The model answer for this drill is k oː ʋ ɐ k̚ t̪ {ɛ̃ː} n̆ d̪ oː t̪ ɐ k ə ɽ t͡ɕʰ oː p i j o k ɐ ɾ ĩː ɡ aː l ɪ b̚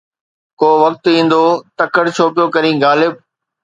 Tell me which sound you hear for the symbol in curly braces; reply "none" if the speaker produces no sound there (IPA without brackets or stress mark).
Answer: ĩː